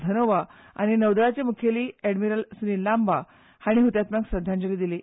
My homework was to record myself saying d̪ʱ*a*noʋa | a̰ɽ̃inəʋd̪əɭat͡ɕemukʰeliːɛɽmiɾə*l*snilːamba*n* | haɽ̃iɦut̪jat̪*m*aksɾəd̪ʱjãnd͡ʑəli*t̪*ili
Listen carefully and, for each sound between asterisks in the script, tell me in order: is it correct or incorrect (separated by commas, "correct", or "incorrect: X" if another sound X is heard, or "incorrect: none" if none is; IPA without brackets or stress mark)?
incorrect: ə, correct, incorrect: none, correct, incorrect: d̪